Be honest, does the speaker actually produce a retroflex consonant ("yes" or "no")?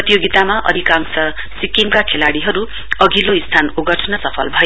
yes